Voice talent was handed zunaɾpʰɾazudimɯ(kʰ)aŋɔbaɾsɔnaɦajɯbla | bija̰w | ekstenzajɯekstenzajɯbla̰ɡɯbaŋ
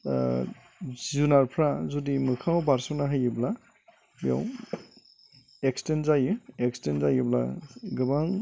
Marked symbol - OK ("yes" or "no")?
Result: yes